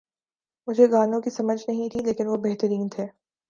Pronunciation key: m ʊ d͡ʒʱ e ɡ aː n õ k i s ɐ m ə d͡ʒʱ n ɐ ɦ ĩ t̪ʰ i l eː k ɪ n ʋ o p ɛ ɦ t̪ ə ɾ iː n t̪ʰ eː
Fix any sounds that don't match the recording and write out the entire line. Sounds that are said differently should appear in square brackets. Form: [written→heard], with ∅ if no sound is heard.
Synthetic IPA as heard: m ʊ d͡ʒʱ e ɡ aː n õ k i s ɐ m ə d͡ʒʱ n ɐ ɦ ĩ t̪ʰ i l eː k ɪ n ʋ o [p→b] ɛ ɦ t̪ ə ɾ iː n t̪ʰ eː